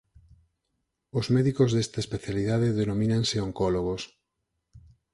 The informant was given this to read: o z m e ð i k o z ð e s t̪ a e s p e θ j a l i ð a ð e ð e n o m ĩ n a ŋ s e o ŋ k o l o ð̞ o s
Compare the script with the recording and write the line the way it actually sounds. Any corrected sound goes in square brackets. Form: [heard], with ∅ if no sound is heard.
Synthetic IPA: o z m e ð i k o z ð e s t̪ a e s p e θ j a l i ð a ð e ð e n o m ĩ n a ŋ s e o ŋ k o l o [ɣ̞] o s

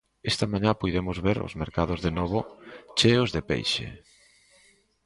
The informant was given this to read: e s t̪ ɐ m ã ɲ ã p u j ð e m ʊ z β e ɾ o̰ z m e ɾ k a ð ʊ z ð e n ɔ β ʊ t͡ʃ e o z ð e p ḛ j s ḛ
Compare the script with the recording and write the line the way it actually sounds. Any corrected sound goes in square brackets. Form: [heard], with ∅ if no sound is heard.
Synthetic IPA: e s t̪ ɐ m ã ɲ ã p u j ð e m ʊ z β e ɾ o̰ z m e ɾ k a ð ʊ z ð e n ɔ β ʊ t͡ʃ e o z ð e p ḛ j [ʃ] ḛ

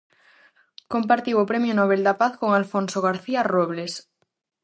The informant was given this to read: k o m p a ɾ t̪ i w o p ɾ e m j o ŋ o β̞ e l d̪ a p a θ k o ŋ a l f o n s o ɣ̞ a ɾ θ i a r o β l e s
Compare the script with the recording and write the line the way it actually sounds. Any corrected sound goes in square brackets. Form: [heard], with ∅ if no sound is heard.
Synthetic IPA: k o m p a ɾ t̪ i w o p ɾ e m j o [n] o β̞ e l d̪ a p a θ k o ŋ a l f o n s o ɣ̞ a ɾ θ i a r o β l e s

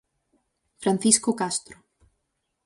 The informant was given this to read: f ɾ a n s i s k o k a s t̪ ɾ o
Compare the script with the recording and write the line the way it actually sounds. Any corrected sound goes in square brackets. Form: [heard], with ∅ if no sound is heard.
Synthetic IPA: f ɾ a n [θ] i s k o k a s t̪ ɾ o

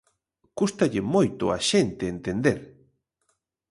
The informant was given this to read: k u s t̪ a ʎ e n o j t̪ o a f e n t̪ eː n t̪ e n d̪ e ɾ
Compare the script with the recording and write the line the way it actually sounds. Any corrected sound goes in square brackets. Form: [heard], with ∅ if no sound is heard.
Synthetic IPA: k u s t̪ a ʎ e [m] o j t̪ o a [ʃ] e n t̪ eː n t̪ e n d̪ e ɾ

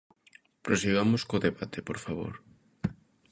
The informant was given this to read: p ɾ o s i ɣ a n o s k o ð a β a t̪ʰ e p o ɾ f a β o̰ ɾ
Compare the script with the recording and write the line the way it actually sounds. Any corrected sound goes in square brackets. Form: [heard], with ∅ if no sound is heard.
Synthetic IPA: p ɾ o s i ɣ a [m] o s k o ð [e] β a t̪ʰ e p o ɾ f a β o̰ ɾ

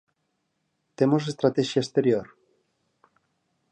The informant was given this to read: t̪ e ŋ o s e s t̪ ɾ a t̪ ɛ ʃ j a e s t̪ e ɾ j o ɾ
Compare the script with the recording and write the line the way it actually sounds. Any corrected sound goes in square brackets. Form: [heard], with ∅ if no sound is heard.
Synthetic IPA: t̪ e [m] o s e s t̪ ɾ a t̪ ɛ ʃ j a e s t̪ e ɾ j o ɾ

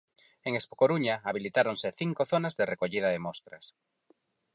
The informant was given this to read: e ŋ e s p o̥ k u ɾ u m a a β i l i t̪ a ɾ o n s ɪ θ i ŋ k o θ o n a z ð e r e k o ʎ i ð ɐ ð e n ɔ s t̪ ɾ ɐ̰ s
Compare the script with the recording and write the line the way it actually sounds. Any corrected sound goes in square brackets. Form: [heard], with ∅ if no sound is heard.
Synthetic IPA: e ŋ e s p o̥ k [o] ɾ u [ɲ] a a β i l i t̪ a ɾ o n s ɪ θ i ŋ k o θ o n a z ð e r e k o ʎ i ð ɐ ð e [m] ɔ s t̪ ɾ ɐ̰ s

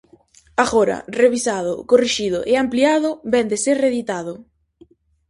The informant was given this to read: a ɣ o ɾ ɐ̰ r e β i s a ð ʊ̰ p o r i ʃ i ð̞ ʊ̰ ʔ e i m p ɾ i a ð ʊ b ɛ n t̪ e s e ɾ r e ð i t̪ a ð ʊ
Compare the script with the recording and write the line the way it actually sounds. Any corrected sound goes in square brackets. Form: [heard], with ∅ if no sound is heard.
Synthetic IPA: a ɣ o ɾ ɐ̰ r e β i s a ð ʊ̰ [k] o r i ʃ i ð̞ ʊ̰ ʔ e [a] m p [l] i a ð ʊ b ɛ n [d̪] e s e ɾ r e ð i t̪ a ð ʊ

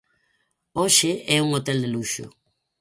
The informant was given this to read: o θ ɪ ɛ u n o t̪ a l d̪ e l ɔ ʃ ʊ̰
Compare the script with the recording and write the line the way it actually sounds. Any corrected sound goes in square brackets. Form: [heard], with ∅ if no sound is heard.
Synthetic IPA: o [ʃ] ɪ ɛ u [ŋ] o t̪ [ɛ] l d̪ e l [u] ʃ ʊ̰

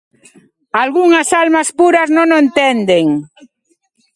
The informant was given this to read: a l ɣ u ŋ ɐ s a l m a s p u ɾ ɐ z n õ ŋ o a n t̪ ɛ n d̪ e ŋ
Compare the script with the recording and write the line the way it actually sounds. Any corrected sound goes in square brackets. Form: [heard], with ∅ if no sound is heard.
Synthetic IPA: a l ɣ u ŋ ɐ s a l m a s p u ɾ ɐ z n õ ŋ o [e] n t̪ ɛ n d̪ e ŋ

